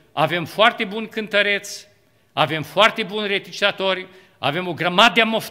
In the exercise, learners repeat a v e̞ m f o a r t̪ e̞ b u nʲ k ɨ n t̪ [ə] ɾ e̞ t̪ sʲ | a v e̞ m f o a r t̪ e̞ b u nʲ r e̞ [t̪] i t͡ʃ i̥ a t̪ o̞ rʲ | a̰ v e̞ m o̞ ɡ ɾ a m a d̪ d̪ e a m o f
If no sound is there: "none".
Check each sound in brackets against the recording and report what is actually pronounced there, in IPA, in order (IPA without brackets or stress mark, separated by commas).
ə, t̪